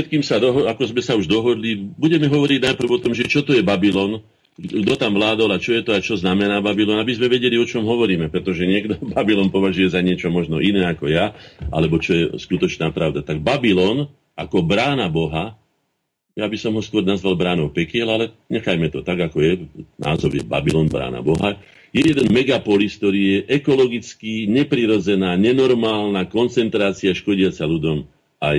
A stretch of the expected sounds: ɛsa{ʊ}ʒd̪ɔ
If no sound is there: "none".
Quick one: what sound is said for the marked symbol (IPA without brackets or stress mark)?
u